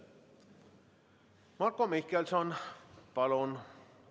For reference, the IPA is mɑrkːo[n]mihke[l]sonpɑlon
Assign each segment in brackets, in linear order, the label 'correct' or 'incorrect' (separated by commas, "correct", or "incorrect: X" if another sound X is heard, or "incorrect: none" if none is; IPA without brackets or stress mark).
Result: incorrect: none, correct